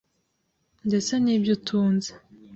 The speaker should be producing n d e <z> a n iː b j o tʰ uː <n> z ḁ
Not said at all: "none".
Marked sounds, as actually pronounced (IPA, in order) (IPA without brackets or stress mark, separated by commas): s, n